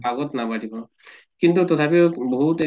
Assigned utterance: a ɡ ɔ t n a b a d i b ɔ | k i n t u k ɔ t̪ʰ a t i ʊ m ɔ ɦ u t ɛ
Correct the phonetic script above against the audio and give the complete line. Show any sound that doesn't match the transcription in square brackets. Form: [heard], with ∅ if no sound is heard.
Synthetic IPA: a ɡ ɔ t n a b a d i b ɔ | k i n t u [t] ɔ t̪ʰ a [p] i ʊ [b] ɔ ɦ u t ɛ